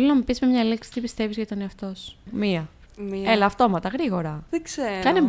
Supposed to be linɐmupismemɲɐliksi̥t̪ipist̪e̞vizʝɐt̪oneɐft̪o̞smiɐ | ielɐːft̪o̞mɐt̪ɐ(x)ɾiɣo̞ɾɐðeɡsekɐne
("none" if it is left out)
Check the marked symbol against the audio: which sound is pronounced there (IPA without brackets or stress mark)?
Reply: ɣ